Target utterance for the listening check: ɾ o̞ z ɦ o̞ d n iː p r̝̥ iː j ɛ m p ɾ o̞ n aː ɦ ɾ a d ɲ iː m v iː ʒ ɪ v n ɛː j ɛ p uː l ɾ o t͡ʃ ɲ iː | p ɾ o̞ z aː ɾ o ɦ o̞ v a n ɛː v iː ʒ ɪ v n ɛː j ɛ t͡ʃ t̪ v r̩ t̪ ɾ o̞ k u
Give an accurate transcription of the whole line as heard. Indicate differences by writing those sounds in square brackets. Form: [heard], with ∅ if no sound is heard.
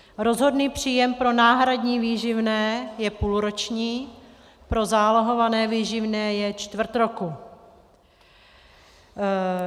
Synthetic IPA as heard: ɾ o̞ z ɦ o̞ d n iː p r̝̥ iː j ɛ m p ɾ o̞ n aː ɦ ɾ a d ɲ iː [∅] v iː ʒ ɪ v n ɛː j ɛ p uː l ɾ o t͡ʃ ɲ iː | p ɾ o̞ z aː [l] o ɦ o̞ v a n ɛː v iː ʒ ɪ v n ɛː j ɛ t͡ʃ t̪ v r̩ t̪ ɾ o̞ k u